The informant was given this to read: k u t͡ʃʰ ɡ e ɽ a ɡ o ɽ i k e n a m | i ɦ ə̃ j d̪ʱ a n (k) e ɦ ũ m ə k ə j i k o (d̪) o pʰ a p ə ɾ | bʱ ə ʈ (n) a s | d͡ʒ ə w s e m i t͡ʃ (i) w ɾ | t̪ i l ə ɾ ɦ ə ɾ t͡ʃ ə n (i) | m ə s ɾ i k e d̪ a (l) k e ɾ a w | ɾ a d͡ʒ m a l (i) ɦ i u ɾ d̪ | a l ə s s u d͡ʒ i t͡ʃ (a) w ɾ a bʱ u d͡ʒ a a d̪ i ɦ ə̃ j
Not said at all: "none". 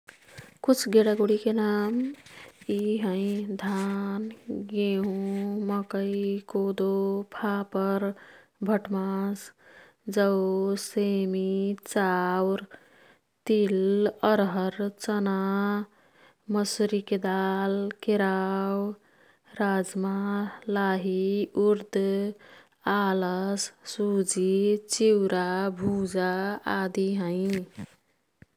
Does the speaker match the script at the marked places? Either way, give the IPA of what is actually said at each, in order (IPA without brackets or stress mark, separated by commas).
ɡ, d̪, m, a, a, l, a, i